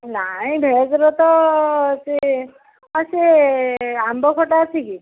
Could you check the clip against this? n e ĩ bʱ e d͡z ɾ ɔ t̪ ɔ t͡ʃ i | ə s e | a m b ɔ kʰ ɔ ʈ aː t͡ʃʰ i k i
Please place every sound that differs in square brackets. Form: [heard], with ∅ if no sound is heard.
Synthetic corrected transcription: n [a] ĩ bʱ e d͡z ɾ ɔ t̪ ɔ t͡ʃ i | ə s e | a m b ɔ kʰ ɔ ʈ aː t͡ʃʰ i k i